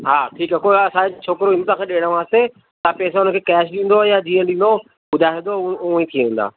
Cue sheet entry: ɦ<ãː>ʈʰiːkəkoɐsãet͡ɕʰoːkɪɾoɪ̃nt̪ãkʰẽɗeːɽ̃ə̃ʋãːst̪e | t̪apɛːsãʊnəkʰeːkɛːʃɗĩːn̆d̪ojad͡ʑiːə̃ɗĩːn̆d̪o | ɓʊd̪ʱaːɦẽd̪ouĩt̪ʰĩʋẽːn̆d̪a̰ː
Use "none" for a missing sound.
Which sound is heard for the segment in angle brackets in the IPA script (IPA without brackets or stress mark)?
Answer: aː